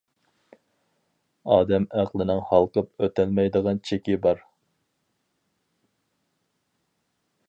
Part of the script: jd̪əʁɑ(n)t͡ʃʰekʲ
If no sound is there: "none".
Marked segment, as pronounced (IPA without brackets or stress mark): n